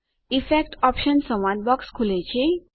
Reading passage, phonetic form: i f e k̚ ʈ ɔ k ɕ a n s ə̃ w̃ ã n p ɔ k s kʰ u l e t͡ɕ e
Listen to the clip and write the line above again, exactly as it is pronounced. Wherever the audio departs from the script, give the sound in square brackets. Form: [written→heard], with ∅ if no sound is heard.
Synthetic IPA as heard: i f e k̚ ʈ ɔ [k→p] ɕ [a→ə] n s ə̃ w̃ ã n [p→b] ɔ k s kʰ u l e t͡ɕ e

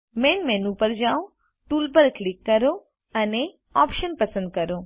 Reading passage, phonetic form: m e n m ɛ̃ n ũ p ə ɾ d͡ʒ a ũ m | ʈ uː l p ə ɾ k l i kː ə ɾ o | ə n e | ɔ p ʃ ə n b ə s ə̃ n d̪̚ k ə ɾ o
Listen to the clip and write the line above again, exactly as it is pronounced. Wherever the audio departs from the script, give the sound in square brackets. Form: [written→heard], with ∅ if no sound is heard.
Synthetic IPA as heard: m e n m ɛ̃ n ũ p ə ɾ d͡ʒ a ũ [m→∅] | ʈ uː l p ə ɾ k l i kː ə ɾ o | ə n e | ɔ p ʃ ə n [b→p] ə s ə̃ n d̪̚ k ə ɾ o

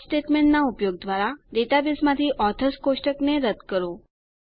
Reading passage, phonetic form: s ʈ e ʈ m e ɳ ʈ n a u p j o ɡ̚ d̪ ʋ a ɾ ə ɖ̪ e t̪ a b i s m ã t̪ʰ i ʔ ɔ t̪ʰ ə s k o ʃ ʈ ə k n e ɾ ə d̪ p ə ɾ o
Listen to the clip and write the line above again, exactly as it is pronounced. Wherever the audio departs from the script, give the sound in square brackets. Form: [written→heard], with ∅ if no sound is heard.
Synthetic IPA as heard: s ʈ e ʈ m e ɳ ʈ n a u p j o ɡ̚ d̪ ʋ a ɾ [ə→a] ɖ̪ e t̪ a b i s m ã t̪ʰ i ʔ ɔ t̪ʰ ə s k o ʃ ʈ ə k n e ɾ ə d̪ [p→k] ə ɾ o

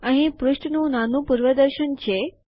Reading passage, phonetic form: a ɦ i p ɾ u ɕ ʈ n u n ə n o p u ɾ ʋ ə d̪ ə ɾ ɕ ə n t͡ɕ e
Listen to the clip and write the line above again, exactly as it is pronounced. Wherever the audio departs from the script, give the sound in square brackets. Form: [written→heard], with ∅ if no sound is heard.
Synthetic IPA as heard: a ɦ i p ɾ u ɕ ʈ n u n [ə→a] n [o→u] p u ɾ ʋ ə d̪ ə ɾ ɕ ə n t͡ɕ e

